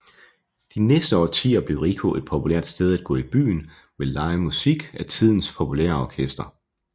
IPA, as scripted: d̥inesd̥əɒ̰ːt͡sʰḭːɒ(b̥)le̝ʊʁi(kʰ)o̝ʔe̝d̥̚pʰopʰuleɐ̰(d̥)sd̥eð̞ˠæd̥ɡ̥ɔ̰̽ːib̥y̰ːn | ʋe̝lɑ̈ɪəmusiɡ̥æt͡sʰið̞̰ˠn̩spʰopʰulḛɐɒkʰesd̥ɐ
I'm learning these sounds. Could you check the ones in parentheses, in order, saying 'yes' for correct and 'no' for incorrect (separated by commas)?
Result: yes, yes, yes